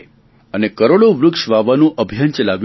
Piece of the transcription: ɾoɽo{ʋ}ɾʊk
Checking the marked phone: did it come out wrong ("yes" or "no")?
no